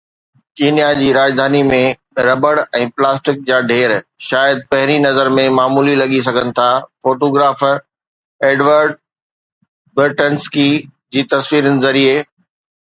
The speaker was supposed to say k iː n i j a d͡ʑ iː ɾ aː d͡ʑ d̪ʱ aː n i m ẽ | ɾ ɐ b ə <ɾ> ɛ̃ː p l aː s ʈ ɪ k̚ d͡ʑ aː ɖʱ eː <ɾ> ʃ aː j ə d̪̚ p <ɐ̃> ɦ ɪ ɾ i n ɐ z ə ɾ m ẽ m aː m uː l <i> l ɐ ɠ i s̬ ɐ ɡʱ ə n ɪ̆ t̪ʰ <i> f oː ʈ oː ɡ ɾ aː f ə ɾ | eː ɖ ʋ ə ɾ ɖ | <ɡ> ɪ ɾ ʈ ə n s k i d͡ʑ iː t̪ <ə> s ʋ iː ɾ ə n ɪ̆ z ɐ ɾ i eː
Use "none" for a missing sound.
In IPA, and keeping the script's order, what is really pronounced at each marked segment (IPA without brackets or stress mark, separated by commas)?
ɽ, ɾ, ɐ, i, a, b, ɐ